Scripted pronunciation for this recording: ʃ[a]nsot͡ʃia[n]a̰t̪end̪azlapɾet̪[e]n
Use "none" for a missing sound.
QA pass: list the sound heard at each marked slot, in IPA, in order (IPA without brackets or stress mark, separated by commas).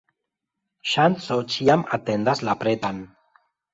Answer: a, m, a